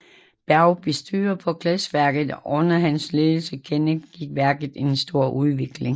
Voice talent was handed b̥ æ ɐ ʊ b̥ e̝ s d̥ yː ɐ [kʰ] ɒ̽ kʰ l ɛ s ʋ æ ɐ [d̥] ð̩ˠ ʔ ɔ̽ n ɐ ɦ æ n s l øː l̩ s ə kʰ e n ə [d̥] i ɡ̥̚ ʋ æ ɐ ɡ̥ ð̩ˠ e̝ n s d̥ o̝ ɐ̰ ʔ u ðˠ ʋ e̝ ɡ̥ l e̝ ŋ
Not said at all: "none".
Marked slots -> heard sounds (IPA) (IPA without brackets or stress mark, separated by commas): pʰ, ɡ̥, ɡ̥